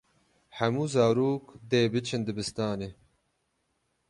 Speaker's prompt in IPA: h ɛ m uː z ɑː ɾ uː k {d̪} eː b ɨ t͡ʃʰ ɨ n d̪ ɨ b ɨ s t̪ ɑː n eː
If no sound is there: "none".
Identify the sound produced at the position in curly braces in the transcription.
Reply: d̪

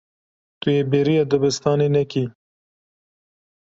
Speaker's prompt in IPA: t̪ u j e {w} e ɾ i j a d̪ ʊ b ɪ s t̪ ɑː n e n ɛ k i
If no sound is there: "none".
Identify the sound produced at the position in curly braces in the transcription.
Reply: b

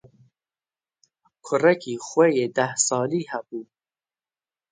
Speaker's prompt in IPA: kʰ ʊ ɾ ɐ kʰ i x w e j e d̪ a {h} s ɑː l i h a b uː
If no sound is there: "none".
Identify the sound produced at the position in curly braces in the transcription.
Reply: h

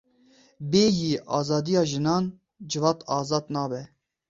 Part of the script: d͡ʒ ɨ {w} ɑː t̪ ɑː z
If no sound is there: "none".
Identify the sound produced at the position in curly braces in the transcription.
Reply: v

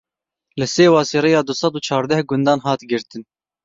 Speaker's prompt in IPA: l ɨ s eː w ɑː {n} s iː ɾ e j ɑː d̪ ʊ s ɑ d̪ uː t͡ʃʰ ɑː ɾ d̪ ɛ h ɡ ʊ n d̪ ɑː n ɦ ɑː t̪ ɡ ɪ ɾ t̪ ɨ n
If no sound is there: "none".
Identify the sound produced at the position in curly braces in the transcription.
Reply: none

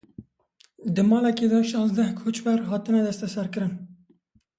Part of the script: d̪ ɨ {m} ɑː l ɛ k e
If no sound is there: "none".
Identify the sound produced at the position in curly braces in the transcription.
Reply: m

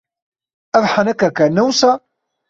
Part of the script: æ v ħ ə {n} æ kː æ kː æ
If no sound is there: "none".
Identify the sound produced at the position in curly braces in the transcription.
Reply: n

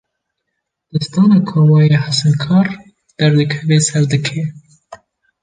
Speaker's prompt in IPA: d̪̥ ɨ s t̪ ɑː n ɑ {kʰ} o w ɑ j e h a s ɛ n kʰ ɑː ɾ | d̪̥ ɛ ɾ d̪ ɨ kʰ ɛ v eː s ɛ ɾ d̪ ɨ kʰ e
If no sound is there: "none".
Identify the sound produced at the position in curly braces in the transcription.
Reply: kʰ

